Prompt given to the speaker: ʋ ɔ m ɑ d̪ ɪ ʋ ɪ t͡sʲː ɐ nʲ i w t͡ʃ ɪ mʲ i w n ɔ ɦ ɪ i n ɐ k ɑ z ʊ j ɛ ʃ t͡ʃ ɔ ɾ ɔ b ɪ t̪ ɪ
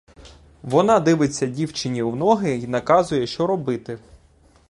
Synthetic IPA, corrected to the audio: ʋ ɔ n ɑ d̪ ɪ ʋ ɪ t͡sʲː ɐ dʲ i w t͡ʃ ɪ nʲ i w n ɔ ɦ ɪ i n ɐ k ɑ z ʊ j ɛ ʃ t͡ʃ ɔ ɾ ɔ b ɪ t̪ ɪ